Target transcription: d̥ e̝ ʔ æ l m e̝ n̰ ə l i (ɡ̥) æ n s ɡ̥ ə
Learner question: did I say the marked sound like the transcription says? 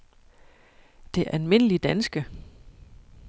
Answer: no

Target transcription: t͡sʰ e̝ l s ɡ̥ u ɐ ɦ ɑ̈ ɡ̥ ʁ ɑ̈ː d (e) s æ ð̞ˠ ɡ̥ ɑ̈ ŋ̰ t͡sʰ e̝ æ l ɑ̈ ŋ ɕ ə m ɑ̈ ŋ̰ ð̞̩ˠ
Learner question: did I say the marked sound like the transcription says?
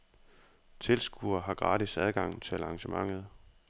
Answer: no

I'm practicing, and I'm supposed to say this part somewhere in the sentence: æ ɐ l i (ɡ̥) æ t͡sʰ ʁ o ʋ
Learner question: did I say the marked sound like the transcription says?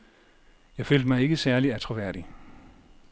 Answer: no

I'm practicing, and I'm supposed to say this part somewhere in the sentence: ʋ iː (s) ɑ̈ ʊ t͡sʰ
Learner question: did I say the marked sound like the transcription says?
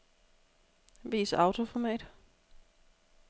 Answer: yes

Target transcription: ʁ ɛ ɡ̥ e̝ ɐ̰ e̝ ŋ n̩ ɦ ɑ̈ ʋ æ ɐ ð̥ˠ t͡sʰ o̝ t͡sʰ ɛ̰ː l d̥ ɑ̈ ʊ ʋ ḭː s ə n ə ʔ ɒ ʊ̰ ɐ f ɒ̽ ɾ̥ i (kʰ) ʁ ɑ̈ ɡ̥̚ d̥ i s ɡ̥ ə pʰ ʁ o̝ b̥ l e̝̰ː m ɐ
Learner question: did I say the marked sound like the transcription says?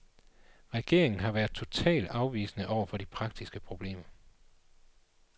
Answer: no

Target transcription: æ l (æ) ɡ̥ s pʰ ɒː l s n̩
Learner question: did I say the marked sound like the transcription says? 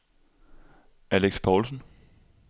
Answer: no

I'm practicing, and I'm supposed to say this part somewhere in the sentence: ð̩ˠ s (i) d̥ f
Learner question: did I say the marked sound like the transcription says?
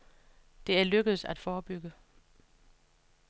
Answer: no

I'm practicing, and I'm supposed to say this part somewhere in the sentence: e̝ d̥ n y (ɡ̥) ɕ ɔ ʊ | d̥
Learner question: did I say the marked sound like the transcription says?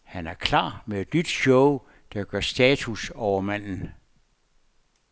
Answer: no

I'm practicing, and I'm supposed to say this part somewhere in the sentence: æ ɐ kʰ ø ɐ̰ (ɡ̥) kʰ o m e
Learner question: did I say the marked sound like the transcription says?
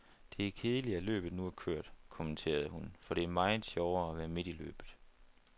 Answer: no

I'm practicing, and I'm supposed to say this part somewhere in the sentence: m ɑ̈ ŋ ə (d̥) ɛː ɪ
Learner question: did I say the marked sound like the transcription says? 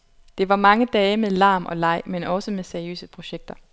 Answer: yes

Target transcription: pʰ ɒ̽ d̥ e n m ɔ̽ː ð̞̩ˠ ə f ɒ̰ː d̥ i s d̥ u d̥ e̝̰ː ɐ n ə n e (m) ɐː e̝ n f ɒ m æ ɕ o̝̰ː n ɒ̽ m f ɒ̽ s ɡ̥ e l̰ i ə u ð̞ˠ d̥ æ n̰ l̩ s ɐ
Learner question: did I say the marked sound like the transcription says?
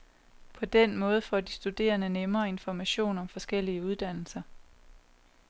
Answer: yes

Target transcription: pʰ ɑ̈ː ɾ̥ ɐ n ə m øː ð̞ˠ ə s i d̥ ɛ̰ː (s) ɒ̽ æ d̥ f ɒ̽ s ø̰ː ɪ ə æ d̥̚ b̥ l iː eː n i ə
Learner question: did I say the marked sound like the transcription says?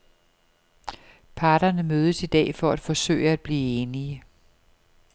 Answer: no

